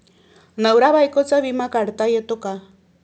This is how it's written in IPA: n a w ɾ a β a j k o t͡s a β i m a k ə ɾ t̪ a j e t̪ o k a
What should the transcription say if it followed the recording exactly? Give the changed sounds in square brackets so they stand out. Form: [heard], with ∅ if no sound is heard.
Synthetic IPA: n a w ɾ a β a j k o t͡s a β i m a k [a] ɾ t̪ a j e t̪ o k a